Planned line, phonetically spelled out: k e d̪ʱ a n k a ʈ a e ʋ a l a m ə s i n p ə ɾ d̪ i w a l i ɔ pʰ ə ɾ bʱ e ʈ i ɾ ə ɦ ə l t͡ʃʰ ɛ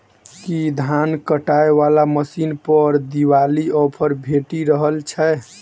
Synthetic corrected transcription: k i d̪ʱ a n k ə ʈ a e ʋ a l a m ə s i n p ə ɾ d̪ i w a l i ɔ pʰ ə ɾ bʱ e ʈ i ɾ ə ɦ ə l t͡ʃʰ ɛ